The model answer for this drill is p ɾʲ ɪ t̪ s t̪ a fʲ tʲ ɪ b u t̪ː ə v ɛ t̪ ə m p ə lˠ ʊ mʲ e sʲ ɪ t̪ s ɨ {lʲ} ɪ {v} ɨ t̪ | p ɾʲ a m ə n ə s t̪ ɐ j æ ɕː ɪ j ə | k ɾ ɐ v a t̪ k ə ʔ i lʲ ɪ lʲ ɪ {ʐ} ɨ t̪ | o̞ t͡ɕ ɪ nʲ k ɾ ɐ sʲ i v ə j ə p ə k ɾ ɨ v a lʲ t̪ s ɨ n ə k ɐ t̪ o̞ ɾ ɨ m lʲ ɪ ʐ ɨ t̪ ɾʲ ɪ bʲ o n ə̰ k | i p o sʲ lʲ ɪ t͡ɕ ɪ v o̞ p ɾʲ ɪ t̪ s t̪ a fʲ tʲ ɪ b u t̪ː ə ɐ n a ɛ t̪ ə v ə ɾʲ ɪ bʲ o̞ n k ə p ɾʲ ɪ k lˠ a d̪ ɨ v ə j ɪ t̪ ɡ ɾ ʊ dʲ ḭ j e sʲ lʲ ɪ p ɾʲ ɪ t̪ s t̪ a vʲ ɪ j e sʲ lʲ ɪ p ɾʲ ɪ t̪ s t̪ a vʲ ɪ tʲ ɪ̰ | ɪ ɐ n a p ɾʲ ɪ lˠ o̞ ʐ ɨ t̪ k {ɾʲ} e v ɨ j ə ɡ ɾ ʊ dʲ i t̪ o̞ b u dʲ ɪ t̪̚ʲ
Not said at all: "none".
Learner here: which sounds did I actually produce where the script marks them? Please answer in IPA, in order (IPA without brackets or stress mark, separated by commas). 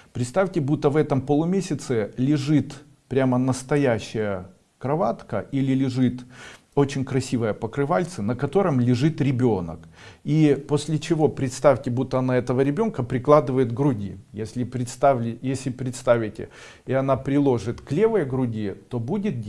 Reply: lʲ, ʐ, ʐ, lʲ